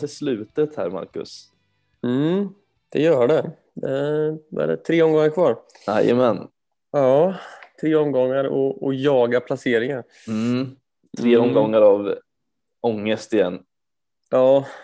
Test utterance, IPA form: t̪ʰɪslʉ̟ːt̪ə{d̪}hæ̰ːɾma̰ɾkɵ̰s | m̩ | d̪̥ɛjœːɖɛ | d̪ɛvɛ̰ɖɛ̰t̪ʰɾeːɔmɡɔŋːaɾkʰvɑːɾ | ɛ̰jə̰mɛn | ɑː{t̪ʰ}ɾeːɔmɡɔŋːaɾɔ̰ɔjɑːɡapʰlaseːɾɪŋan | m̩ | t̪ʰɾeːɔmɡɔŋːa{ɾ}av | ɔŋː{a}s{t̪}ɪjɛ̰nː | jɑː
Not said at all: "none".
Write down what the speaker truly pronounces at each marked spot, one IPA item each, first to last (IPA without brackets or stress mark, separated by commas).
t̪, t̪ʰ, ɾ, ə, t̪